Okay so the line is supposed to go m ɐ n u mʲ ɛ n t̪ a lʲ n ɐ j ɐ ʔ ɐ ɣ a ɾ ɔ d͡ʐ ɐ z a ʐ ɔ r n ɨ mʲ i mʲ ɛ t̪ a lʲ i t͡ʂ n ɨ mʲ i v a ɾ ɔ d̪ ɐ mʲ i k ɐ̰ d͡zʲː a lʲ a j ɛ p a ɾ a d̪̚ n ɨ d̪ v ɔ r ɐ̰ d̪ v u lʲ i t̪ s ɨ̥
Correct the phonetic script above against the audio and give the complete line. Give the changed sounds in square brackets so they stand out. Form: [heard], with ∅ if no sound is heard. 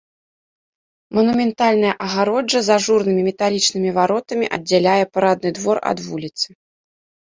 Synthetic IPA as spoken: m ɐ n u mʲ ɛ n t̪ a lʲ n ɐ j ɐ ʔ ɐ ɣ a ɾ ɔ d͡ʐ ɐ z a ʐ [u] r n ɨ mʲ i mʲ ɛ t̪ a lʲ i t͡ʂ n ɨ mʲ i v a ɾ ɔ [t̪] ɐ mʲ i [ʔ] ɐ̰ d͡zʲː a lʲ a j ɛ p a ɾ a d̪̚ n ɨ d̪ v ɔ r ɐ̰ d̪ v u lʲ i t̪ s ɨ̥